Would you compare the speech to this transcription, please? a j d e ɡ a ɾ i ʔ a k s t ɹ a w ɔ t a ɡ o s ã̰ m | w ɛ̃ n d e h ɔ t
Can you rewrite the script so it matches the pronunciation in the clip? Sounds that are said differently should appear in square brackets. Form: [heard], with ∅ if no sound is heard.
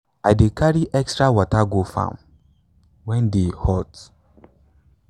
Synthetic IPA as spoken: a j d e [k] a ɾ i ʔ [ɛ] k s t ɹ a w ɔ t a ɡ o [f] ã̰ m | w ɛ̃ n d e h ɔ t